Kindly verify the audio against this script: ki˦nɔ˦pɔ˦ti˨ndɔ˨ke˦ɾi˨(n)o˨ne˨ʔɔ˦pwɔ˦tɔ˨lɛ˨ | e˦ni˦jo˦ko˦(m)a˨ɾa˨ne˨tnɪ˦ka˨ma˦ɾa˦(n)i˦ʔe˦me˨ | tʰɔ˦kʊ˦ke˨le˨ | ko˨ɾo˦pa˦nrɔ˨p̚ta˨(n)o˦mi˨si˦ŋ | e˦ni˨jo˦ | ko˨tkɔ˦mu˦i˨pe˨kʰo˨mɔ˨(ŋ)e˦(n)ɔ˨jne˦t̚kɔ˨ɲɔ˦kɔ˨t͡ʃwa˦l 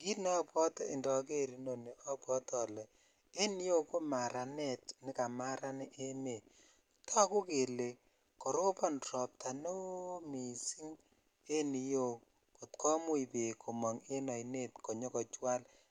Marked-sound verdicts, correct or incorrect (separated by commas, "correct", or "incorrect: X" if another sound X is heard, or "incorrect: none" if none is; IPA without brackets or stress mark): correct, correct, correct, correct, correct, correct